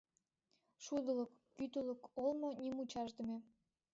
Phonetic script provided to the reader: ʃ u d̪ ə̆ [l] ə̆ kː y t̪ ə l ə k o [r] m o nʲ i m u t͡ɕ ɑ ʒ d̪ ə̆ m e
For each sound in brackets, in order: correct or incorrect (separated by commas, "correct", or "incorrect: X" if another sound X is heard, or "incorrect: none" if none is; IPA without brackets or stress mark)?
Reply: correct, incorrect: l